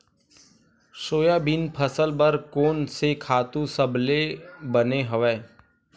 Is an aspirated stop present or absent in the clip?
present